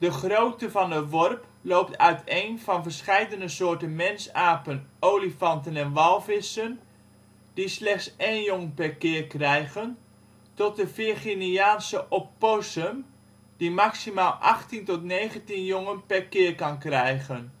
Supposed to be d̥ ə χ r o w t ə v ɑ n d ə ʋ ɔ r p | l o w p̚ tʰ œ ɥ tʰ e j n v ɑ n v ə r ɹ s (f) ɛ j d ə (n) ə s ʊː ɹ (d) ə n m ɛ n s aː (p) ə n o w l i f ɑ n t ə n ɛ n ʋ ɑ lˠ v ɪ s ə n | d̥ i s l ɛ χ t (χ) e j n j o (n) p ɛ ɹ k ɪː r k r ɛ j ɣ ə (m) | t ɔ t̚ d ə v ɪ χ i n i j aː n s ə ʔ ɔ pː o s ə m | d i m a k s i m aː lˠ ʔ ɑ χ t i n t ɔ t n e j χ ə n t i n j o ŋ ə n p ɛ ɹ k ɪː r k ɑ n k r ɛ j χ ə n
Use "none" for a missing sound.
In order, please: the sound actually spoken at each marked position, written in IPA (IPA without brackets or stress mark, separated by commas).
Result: χ, n, t, p, s, ŋ, n